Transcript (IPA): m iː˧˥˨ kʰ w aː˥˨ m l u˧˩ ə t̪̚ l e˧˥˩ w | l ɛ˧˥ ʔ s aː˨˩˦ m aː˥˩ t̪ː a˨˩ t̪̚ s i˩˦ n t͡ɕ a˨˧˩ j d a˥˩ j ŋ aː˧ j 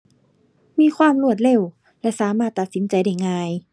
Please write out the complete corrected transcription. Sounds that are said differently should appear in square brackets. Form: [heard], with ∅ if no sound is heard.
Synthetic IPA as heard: m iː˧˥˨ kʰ w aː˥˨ m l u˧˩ ə t̪̚ l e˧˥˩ w | l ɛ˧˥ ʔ s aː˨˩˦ m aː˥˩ t̪ː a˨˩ t̪̚ s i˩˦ n t͡ɕ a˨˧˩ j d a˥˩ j ŋ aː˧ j